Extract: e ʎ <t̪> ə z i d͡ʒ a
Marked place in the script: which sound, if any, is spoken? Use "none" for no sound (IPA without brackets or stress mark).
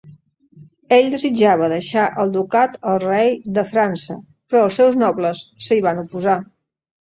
d̪